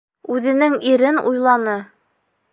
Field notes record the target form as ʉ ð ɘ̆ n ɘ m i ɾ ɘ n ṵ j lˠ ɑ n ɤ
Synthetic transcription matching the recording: ʉ ð ɘ̆ n ɘ ŋ i ɾ ɘ n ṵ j lˠ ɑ n ɤ